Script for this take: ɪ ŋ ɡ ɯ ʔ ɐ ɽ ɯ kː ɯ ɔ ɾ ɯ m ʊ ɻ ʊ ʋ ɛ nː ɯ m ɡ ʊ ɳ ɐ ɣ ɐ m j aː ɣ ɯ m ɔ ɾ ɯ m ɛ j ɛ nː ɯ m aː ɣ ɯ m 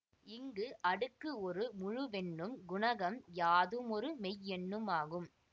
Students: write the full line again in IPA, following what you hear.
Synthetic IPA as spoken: ɪ ŋ ɡ ɯ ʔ ɐ ɽ ɯ kː ɯ ɔ ɾ ɯ m ʊ ɻ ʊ ʋ ɛ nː ɯ m ɡ ʊ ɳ ɐ ɣ ɐ m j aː ð ɯ m ɔ ɾ ɯ m ɛ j ɛ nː ɯ m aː ɣ ɯ m